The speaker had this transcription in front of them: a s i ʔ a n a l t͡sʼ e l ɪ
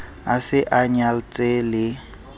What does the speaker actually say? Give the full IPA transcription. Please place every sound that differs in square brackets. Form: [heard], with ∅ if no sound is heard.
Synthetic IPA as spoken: a s [ɪ] ʔ a [ɲ] a l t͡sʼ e l ɪ